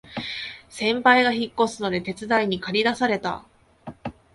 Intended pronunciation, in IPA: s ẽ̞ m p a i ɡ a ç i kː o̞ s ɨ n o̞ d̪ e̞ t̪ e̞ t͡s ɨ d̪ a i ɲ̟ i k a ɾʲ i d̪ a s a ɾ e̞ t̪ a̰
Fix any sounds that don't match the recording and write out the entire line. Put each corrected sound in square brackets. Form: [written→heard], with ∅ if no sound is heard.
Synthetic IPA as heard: s ẽ̞ m p a i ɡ a ç i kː o̞ s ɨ n o̞ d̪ e̞ t̪ e̞ t͡s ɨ d̪ a i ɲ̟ i k a ɾʲ i d̪ a s a ɾ e̞ t̪ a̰

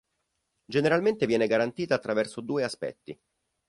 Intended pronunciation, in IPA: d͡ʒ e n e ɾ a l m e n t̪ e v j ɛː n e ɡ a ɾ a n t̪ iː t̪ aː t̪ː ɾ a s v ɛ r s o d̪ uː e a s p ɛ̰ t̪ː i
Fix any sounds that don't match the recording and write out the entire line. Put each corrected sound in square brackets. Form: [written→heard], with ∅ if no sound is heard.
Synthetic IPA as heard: d͡ʒ e n e ɾ a l m e n t̪ e v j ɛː n e ɡ a ɾ a n t̪ iː t̪ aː t̪ː ɾ a [s→∅] v ɛ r s o d̪ uː e a s p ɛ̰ t̪ː i

